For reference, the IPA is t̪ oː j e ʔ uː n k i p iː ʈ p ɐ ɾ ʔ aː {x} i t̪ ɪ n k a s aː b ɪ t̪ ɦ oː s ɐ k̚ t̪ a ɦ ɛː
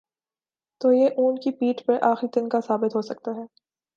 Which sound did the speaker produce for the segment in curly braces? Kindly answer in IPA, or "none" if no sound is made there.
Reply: x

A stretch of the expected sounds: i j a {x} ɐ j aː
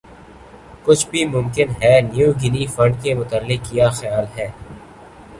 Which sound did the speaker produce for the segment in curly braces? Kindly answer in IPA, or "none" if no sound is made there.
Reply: x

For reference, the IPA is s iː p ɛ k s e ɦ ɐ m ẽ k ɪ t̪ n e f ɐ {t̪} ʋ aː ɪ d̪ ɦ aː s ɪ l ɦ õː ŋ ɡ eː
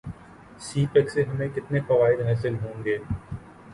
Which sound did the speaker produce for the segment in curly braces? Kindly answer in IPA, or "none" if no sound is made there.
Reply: none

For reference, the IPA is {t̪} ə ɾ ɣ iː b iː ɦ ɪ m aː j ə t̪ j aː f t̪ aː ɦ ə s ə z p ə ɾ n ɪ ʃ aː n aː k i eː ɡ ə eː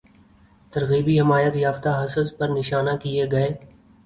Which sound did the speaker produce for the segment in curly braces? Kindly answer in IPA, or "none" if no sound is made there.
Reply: t̪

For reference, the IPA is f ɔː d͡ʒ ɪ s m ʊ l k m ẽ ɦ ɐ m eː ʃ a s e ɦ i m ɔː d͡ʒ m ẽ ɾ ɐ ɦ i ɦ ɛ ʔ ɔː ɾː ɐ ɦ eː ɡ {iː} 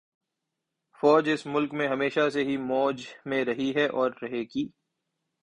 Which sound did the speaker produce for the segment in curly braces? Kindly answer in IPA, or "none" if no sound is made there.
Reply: iː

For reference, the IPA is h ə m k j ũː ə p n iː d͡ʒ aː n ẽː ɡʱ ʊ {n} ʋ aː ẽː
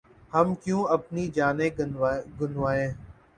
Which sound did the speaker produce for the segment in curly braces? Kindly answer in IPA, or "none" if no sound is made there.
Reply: n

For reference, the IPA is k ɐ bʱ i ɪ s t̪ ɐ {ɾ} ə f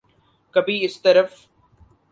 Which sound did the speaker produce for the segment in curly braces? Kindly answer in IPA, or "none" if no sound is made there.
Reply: ɾ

